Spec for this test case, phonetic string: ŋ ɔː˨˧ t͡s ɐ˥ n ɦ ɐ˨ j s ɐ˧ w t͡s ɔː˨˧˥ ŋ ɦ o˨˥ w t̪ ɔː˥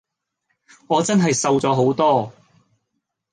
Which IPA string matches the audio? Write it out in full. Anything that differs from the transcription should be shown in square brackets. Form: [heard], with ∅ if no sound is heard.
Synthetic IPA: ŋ ɔː˨˧ t͡s ɐ˥ n ɦ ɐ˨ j s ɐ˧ w t͡s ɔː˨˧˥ [∅] ɦ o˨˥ w t̪ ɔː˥